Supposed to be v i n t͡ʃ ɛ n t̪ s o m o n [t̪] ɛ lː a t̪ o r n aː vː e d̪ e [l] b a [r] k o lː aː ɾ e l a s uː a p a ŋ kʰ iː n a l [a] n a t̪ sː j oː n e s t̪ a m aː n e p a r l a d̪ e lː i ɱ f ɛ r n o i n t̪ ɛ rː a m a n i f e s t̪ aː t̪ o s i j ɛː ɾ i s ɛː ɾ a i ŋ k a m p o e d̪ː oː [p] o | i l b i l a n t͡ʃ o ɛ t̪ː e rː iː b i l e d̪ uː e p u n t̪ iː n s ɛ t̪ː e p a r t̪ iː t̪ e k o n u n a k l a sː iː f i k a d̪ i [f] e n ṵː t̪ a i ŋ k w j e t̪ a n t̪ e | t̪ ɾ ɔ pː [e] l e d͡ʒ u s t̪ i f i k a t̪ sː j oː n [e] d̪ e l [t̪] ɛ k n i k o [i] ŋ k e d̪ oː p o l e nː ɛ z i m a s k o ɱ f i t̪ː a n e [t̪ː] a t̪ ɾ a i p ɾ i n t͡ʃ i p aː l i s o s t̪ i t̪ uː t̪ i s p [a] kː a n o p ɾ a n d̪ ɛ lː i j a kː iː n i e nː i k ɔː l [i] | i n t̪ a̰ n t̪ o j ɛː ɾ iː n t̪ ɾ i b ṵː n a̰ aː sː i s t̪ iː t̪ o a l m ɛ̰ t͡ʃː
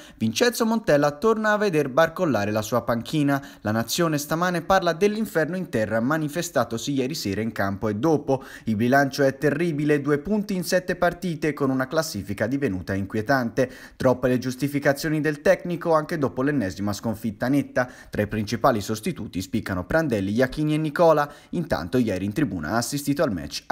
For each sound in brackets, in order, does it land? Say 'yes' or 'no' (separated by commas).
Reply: yes, no, yes, yes, yes, no, yes, no, yes, no, yes, no, no